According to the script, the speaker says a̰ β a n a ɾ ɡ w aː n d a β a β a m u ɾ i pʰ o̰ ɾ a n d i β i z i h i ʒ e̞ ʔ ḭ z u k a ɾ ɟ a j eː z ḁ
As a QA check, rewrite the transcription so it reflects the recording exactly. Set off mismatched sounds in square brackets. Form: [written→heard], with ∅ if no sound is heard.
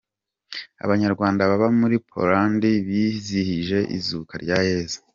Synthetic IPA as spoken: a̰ β a [n→ɲ] a ɾ ɡ w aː n d a β a β a m u ɾ i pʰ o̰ ɾ a n d i β i z i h i ʒ e̞ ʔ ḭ z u k a ɾ ɟ a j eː z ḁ